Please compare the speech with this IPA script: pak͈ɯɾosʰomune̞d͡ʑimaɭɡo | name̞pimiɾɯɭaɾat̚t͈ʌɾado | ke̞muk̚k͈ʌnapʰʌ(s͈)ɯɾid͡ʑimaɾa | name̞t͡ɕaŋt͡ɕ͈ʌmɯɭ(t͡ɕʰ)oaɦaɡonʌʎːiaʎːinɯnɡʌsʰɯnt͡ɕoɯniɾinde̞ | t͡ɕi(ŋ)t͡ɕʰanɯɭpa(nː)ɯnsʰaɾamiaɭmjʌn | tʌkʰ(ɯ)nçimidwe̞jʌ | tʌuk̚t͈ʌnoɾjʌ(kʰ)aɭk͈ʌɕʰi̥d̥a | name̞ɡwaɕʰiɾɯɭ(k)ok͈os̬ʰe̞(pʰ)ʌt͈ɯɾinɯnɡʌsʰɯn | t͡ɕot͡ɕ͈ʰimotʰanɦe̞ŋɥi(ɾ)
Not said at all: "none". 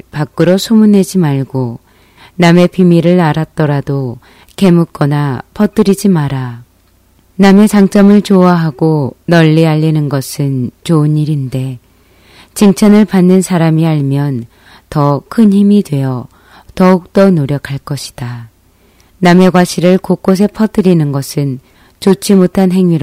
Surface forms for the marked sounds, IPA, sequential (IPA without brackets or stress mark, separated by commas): t͈, t͡ɕ, ŋ, nː, ɯ, kʰ, k, pʰ, ɾ